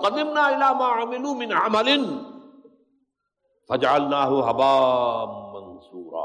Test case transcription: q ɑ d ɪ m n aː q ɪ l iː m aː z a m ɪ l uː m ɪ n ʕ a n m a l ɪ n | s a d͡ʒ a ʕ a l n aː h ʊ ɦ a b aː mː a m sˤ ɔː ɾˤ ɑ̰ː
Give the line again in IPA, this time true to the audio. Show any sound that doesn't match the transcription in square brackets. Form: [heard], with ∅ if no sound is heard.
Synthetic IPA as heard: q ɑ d ɪ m n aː [ʔ] ɪ l [aː] m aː [ʕ] a m ɪ l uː m ɪ n ʕ a [∅] m a l ɪ n | [f] a d͡ʒ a ʕ a l n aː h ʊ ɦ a b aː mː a [n] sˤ [uː] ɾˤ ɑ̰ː